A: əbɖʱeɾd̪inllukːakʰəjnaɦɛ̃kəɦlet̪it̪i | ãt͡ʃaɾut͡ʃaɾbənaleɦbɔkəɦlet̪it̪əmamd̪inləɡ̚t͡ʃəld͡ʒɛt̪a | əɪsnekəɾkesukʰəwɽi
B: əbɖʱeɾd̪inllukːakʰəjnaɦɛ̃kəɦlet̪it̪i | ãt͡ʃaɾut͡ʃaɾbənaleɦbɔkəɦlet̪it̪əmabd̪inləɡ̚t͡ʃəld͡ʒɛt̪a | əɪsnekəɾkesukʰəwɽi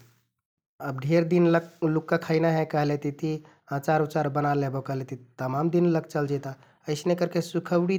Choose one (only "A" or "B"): A